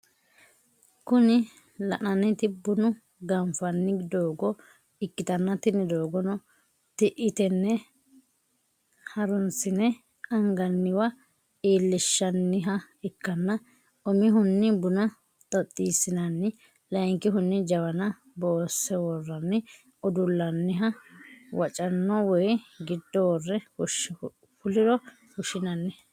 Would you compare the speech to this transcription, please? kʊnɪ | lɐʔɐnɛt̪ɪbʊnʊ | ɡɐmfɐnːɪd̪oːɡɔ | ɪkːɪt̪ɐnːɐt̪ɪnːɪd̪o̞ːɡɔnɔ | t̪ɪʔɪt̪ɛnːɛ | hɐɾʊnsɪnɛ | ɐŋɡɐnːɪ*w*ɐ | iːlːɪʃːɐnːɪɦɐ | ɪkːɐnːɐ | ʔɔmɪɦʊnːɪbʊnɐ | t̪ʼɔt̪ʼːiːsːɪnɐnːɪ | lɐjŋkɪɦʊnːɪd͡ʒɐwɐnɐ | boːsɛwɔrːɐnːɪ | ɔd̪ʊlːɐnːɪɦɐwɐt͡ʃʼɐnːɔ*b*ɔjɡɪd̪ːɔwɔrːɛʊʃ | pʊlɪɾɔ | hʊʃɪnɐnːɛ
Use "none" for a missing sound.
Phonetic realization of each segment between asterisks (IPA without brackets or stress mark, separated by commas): w, w